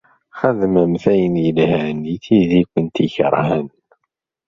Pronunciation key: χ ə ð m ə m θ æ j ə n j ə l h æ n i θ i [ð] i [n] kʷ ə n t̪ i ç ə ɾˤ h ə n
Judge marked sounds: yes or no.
yes, no

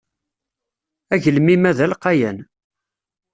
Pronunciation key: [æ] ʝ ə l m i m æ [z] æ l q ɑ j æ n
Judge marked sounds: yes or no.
yes, no

